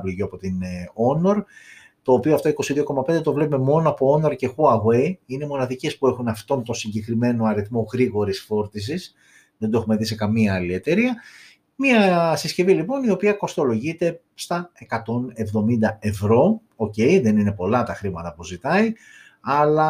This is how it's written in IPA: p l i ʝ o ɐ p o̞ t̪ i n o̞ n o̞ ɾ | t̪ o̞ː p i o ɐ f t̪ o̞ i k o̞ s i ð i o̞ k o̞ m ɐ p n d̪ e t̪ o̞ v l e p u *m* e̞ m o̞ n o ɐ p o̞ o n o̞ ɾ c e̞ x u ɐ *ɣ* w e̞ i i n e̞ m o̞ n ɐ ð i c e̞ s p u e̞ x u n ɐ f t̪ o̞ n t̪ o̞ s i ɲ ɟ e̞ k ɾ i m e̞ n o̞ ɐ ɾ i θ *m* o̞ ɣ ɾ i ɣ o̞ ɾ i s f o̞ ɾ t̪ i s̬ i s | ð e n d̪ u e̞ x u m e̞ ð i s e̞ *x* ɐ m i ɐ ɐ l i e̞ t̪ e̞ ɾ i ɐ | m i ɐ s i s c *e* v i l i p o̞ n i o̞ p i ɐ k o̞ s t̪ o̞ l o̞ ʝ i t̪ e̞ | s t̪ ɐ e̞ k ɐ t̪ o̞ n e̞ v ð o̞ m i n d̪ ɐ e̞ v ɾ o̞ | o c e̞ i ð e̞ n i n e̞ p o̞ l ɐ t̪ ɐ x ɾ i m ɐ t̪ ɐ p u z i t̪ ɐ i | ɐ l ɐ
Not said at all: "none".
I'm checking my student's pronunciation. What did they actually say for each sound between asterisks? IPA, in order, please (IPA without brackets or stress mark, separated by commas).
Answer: m, ɣ, m, k, e